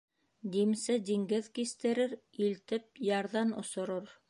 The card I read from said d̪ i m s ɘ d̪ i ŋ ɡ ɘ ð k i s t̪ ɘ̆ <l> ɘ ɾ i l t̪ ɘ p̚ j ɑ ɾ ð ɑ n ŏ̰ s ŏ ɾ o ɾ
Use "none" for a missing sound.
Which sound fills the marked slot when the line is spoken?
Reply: ɾ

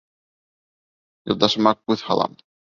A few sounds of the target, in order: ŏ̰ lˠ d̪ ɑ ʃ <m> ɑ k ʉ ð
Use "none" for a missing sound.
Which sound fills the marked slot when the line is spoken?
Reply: m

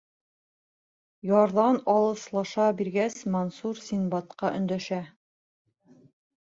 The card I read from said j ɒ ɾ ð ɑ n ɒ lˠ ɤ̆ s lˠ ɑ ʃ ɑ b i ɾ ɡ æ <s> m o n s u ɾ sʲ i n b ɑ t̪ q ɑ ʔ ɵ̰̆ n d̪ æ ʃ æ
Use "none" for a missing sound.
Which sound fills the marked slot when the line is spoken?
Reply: s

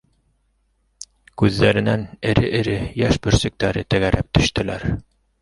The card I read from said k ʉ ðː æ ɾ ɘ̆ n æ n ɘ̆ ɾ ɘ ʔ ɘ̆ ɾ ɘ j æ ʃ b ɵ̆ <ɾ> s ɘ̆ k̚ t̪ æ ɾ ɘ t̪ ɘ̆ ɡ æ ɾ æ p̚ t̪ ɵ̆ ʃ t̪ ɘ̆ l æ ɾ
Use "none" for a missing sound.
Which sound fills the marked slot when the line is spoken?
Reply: ɾ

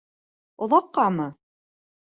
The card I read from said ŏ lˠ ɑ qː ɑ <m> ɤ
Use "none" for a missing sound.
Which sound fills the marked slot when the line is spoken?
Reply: m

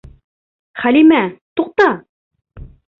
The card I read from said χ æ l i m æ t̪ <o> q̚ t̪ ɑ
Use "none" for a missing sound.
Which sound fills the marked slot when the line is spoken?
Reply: u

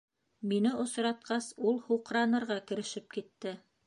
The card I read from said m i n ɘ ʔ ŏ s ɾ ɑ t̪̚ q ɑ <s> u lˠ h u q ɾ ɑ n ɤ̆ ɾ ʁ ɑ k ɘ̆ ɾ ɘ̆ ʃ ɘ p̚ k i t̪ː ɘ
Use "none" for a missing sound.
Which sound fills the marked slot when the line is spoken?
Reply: s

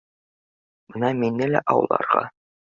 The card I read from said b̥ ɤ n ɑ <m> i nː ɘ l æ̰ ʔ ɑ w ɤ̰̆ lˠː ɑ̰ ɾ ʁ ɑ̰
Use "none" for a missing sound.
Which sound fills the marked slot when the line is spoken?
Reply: m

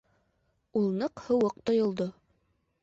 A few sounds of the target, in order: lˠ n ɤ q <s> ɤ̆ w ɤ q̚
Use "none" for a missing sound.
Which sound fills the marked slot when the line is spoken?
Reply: h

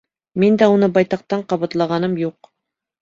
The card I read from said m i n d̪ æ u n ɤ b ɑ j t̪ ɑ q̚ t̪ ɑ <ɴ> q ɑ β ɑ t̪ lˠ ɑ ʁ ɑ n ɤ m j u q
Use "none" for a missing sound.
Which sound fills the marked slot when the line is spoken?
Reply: ɴ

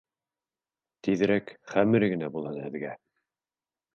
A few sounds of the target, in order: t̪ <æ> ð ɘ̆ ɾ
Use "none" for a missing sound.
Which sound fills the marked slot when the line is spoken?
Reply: i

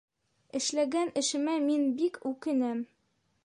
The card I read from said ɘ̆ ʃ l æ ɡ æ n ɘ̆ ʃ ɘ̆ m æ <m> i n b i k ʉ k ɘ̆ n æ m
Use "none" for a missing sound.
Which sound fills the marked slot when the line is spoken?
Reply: m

